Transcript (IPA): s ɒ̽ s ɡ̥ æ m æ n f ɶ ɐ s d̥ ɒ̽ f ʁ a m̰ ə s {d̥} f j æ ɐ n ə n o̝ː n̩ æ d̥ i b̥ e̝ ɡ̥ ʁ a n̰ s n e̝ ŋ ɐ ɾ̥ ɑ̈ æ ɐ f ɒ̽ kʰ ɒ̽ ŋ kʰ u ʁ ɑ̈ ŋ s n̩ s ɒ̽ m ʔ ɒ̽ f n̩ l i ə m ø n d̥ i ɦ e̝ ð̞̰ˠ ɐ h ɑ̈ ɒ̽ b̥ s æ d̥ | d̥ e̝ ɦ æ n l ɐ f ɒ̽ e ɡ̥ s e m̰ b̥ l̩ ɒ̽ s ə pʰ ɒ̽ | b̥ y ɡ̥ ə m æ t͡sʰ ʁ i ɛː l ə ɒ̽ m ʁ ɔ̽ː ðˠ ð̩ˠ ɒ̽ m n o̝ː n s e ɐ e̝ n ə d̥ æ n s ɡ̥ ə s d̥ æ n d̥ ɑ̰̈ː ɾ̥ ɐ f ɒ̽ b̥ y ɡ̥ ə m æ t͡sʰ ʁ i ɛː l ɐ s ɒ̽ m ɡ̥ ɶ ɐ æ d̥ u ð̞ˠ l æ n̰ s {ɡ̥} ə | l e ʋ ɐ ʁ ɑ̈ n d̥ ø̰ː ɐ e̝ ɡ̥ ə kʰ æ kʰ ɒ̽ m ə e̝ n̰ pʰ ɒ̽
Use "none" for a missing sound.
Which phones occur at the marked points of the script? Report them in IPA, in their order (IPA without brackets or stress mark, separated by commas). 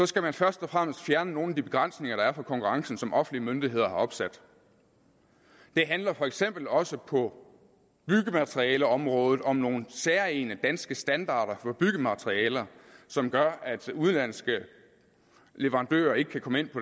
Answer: d̥, ɡ̥